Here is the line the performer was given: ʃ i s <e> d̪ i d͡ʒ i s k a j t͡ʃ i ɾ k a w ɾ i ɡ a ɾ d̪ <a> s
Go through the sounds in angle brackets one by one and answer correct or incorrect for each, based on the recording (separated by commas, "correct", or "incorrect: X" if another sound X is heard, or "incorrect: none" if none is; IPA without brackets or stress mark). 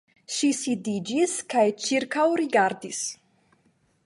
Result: incorrect: i, incorrect: i